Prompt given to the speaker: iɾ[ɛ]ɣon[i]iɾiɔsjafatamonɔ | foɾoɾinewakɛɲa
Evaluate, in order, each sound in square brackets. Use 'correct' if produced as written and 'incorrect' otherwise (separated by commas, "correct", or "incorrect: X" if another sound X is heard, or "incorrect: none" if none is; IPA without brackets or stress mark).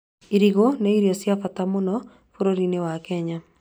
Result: incorrect: i, incorrect: e